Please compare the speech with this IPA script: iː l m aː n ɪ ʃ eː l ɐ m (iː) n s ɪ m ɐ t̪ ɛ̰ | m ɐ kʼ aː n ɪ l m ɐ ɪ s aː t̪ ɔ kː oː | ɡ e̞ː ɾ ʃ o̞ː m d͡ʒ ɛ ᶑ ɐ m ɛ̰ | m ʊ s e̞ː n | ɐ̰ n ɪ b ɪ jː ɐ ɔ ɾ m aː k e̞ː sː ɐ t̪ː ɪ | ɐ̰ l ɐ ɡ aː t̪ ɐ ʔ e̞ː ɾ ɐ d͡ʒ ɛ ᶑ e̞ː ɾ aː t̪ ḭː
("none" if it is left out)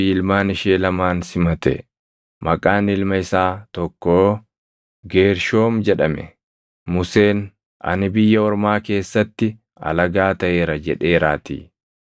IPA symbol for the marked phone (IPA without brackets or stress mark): aː